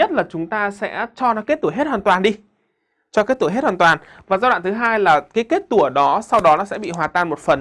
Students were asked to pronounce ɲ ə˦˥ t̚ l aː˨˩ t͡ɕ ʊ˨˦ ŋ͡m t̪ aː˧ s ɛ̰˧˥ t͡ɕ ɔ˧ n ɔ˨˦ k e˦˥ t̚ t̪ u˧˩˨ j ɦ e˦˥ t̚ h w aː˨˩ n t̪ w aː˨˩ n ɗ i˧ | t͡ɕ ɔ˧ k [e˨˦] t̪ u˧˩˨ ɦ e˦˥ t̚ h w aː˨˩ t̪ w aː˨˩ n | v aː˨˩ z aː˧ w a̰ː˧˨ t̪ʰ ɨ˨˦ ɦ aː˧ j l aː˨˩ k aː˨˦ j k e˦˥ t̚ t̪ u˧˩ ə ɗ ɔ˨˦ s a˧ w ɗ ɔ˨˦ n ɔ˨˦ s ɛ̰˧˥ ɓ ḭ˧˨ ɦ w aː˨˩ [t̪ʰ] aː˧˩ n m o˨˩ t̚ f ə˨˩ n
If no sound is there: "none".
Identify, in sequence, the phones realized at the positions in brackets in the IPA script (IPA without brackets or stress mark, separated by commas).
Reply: e˦˥, t̪